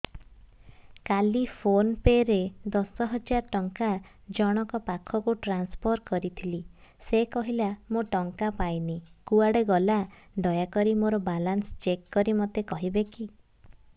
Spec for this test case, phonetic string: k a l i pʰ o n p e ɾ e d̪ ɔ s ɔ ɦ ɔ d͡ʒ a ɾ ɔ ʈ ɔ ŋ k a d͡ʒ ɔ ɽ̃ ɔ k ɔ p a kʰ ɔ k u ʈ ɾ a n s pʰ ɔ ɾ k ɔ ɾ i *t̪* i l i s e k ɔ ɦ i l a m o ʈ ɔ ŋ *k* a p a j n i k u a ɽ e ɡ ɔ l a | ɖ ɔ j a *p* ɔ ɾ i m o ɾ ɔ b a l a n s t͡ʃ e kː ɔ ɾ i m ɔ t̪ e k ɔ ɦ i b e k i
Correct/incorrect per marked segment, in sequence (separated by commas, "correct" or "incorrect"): incorrect, correct, incorrect